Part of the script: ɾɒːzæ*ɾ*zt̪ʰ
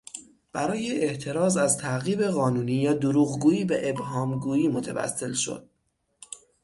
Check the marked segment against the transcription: incorrect: none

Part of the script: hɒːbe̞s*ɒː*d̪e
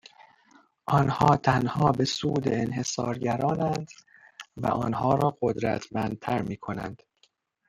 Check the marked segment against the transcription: incorrect: uː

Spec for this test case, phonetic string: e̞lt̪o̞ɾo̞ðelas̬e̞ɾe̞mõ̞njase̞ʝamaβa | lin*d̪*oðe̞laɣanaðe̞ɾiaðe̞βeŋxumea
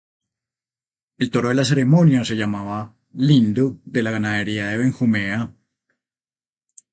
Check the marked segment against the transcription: correct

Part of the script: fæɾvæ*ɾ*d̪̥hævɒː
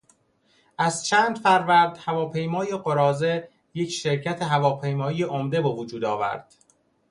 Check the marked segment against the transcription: correct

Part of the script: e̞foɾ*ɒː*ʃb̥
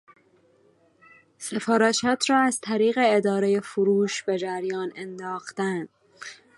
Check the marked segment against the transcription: incorrect: uː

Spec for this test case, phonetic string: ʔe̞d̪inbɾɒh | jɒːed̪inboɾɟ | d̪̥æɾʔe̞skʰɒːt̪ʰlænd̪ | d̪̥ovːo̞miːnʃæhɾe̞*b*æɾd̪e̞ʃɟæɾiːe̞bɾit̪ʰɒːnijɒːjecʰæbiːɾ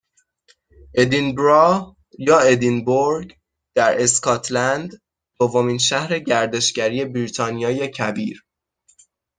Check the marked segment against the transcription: incorrect: ɟ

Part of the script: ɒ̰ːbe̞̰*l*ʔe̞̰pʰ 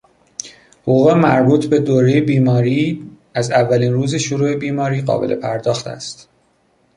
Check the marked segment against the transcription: correct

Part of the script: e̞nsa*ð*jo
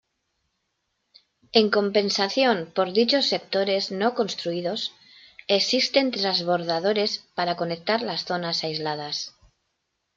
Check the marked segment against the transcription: incorrect: θ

